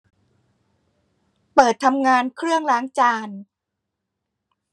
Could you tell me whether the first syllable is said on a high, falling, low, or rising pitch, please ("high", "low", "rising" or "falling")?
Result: low